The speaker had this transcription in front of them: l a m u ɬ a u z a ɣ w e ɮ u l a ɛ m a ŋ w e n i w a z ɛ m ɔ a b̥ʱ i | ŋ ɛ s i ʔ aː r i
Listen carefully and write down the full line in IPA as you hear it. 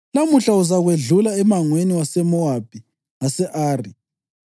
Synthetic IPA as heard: l a m u ɬ a u z a ɣ w e ɮ u l a ɛ m a ŋ w e n i w a s ɛ m ɔ a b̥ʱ i | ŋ a s ɛ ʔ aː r i